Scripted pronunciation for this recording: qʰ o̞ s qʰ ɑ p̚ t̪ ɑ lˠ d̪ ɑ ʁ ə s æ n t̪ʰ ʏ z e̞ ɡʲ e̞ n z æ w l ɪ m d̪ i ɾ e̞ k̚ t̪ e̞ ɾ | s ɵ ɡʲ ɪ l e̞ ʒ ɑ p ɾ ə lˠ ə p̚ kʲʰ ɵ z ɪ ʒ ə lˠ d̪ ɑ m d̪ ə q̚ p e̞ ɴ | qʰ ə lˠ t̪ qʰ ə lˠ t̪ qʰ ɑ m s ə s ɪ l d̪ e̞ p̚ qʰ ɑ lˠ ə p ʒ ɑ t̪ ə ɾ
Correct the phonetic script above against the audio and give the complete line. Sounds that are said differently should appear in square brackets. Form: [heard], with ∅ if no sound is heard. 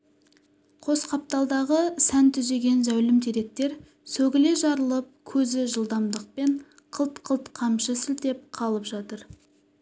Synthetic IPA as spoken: qʰ o̞ s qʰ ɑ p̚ t̪ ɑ lˠ d̪ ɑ ʁ ə s æ n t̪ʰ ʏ z e̞ ɡʲ e̞ n z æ w l ɪ m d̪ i ɾ e̞ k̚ t̪ e̞ ɾ | s ɵ ɡʲ ɪ l e̞ ʒ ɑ [∅] ɾ ə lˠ ə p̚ kʲʰ ɵ z ɪ ʒ ə lˠ d̪ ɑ m d̪ ə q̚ p e̞ ɴ | qʰ ə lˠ t̪ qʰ ə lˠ t̪ qʰ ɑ m [ʃ] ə s ɪ l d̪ e̞ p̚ qʰ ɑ lˠ ə p ʒ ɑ t̪ ə ɾ